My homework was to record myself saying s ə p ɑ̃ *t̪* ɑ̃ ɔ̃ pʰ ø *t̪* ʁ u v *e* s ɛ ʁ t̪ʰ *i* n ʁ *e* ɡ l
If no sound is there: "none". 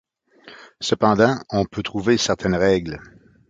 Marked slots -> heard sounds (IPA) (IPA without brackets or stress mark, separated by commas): d̪, t̪, e, ɛ, ɛ